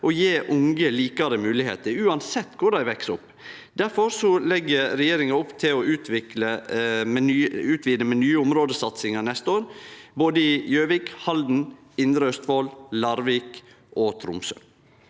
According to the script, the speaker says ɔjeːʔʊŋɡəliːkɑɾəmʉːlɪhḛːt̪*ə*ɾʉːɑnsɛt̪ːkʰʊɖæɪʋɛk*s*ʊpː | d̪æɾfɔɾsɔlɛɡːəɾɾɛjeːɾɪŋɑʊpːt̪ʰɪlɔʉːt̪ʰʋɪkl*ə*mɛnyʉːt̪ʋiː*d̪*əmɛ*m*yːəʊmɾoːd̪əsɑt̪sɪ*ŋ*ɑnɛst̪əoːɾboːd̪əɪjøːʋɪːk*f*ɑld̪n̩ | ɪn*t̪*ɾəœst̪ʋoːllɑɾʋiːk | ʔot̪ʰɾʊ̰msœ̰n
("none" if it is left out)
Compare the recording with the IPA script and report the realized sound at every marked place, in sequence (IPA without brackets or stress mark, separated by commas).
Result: ə, s, ə, d̪, n, ŋ, h, d̪